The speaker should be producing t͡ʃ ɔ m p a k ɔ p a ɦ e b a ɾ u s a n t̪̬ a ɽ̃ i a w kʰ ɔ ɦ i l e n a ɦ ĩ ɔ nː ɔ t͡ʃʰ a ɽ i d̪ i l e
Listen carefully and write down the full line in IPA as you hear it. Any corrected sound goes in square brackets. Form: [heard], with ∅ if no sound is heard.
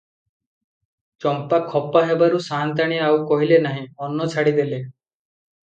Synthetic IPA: t͡ʃ ɔ m p a [kʰ] ɔ p a ɦ e b a ɾ u s a n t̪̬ a ɽ̃ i a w [k] ɔ ɦ i l e n a ɦ ĩ ɔ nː ɔ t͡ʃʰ a ɽ i d̪ [e] l e